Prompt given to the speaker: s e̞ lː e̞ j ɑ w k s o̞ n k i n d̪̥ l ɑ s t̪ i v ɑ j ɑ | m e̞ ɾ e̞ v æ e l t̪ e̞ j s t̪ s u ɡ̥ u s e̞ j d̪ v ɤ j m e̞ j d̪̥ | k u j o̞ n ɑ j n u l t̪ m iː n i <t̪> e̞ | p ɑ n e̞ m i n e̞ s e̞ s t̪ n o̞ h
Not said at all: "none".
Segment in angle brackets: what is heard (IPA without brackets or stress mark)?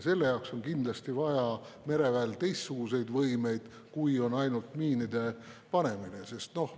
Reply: d̪